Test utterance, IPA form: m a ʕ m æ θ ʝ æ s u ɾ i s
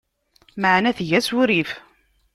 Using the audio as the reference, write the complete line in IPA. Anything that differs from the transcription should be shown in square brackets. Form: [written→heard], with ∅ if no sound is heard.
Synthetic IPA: m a ʕ [m→n] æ θ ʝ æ s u ɾ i [s→f]